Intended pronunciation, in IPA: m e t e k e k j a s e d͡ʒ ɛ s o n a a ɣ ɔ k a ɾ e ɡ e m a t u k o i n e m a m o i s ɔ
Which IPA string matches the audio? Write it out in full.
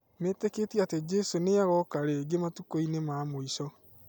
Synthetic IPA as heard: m e t e k e t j a t e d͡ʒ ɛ s o n e a ɣ ɔ k a ɾ e ɡ e m a t u k o i n e m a m o i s ɔ